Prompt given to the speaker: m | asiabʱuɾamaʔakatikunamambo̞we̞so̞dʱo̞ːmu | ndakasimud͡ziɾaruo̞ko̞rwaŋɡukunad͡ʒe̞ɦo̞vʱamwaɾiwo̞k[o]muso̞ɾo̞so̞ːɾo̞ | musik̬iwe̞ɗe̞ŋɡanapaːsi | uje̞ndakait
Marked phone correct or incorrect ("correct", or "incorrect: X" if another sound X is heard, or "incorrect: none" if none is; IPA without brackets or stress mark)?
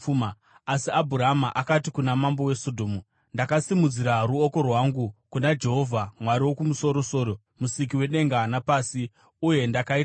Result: incorrect: u